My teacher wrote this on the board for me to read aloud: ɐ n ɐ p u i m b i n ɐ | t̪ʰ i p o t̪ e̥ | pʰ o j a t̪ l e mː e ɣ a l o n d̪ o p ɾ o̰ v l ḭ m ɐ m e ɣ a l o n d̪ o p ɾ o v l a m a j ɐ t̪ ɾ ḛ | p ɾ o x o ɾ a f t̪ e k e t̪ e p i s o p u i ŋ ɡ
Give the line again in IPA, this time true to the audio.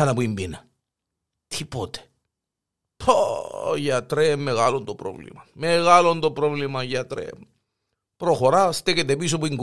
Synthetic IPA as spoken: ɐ n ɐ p u i m b i n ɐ | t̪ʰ i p o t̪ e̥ | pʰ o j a t̪ ɾ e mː e ɣ a l o n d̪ o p ɾ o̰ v l ḭ m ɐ m e ɣ a l o n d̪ o p ɾ o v l i m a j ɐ t̪ ɾ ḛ | p ɾ o x o ɾ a s t̪ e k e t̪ e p i s o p u i ŋ ɡ